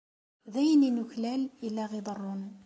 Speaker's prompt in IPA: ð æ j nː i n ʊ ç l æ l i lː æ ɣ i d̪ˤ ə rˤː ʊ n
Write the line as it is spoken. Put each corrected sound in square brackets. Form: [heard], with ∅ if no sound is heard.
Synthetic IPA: ð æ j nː i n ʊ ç l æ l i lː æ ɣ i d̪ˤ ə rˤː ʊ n